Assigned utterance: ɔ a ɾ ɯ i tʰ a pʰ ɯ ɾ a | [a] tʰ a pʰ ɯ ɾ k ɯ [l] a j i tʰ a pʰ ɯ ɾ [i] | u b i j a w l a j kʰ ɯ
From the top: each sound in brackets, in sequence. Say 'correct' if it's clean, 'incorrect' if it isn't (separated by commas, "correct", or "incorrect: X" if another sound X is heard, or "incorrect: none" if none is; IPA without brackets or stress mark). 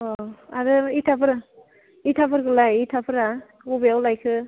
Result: incorrect: i, correct, incorrect: a